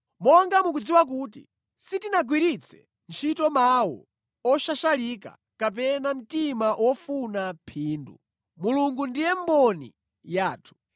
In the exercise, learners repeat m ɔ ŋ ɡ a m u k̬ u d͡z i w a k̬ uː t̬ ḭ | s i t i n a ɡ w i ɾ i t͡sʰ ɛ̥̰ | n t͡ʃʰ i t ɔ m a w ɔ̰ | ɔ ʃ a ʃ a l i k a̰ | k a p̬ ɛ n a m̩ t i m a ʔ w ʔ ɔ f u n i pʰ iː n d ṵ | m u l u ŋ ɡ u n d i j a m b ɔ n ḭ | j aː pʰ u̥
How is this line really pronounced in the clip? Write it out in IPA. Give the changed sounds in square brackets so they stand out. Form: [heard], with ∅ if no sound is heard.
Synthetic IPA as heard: m ɔ ŋ ɡ a m u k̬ u d͡z i w a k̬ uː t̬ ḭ | s i t i n a ɡ w i ɾ i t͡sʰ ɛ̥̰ | n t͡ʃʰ i t ɔ m a w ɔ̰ | ɔ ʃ a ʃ a l i k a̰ | k a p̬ ɛ n a m̩ t i m a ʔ w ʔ ɔ f u n [a] pʰ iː n d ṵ | m u l u ŋ ɡ u n d i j [ɛ] m b ɔ n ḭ | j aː [tʰ] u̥